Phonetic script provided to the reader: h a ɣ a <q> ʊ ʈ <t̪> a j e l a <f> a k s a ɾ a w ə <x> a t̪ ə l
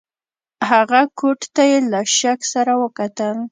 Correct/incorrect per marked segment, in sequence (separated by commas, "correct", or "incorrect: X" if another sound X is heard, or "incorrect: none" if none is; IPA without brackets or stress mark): incorrect: k, correct, incorrect: ʃ, incorrect: k